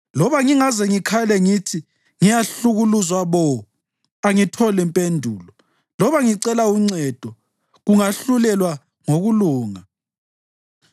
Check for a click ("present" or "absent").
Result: present